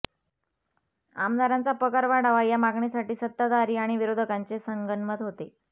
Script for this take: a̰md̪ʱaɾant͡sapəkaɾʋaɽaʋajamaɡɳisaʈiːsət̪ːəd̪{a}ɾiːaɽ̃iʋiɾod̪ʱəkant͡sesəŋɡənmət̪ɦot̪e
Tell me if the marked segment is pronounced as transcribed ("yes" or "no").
yes